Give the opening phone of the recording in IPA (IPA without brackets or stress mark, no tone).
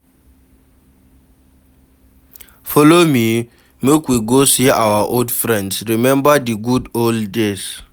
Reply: f